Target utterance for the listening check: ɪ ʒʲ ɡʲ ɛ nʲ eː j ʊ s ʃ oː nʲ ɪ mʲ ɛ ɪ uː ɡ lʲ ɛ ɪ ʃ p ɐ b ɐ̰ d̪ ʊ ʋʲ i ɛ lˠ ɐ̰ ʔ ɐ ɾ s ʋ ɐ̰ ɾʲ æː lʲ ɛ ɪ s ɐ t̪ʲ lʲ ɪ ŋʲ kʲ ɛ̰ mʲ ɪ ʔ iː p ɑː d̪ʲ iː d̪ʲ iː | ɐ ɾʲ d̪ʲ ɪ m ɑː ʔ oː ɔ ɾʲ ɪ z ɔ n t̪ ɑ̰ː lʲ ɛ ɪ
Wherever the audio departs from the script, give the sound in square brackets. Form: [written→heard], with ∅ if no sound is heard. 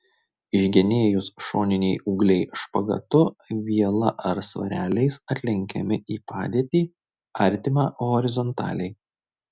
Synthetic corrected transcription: ɪ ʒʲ ɡʲ ɛ nʲ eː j ʊ s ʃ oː nʲ ɪ [mʲ→nʲ] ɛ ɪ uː ɡ lʲ ɛ ɪ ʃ p ɐ [b→ɡ] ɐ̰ [d̪→t̪] ʊ ʋʲ i ɛ lˠ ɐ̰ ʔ ɐ ɾ s ʋ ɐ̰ ɾʲ æː lʲ ɛ ɪ s ɐ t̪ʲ lʲ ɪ ŋʲ kʲ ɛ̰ mʲ ɪ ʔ iː p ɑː d̪ʲ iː [d̪ʲ→t̪ʲ] iː | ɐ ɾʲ [d̪ʲ→t̪ʲ] ɪ m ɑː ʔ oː ɔ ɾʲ ɪ z ɔ n t̪ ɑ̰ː lʲ ɛ ɪ

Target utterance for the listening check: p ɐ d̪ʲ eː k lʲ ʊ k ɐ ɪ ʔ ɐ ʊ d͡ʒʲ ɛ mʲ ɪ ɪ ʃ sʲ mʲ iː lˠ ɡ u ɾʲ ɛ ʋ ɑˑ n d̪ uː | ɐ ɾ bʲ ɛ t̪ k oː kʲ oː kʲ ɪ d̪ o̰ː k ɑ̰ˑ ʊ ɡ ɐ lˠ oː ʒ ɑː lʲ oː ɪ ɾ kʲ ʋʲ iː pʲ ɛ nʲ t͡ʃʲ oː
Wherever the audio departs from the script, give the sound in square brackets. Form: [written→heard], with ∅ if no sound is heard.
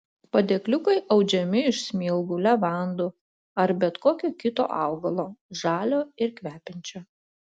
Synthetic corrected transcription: p ɐ d̪ʲ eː k lʲ ʊ k ɐ ɪ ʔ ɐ ʊ d͡ʒʲ ɛ mʲ ɪ ɪ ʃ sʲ mʲ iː lˠ ɡ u [ɾʲ→lʲ] ɛ ʋ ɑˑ n d̪ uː | ɐ ɾ bʲ ɛ t̪ k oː kʲ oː kʲ ɪ [d̪→t̪] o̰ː [k→ʔ] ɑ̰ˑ ʊ ɡ ɐ lˠ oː ʒ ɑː lʲ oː ɪ ɾ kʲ ʋʲ [iː→æː] pʲ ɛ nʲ t͡ʃʲ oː

